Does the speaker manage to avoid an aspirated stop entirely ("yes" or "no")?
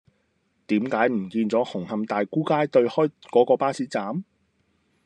yes